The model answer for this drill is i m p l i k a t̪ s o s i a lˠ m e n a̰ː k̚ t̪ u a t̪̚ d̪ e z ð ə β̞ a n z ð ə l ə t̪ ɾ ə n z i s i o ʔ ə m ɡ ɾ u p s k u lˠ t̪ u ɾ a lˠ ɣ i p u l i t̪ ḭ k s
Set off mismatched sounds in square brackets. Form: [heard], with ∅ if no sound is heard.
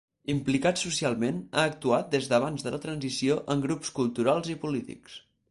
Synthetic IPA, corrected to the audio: i m p l i k a t̪ s [u] s i a lˠ m e n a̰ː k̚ t̪ u a t̪̚ d̪ e z ð ə β̞ a n z ð ə l ə t̪ ɾ ə n z i s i o ʔ ə [ŋ] ɡ ɾ u p s k u lˠ t̪ u ɾ a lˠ [z] i p u l i t̪ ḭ k s